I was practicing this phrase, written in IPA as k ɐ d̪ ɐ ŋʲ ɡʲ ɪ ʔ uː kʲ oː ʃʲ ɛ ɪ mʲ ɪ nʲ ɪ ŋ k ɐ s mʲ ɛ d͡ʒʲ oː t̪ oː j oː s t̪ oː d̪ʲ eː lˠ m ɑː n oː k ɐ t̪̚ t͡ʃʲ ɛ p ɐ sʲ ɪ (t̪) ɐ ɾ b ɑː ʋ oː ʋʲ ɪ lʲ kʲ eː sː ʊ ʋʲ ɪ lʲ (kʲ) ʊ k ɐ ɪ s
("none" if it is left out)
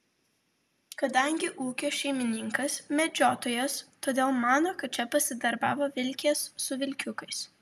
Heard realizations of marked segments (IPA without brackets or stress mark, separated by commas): d̪, kʲ